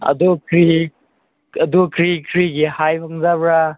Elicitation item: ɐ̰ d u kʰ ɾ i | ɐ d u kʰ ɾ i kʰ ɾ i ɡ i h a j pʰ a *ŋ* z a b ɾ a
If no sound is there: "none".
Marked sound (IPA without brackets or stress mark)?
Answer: ŋ